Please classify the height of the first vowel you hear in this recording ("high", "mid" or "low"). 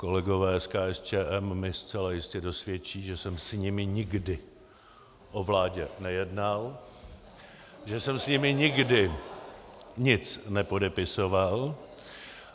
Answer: mid